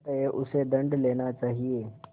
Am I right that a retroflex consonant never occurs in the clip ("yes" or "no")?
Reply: no